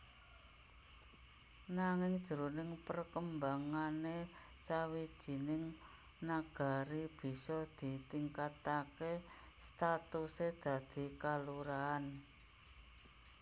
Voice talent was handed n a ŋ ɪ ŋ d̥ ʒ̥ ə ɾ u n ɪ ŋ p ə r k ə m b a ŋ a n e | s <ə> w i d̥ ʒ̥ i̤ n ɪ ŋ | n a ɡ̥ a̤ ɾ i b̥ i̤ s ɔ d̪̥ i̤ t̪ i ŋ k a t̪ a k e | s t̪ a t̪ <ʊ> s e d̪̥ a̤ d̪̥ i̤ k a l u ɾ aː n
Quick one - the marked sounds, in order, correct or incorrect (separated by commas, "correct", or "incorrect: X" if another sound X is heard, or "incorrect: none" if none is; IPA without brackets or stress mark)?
incorrect: a, incorrect: u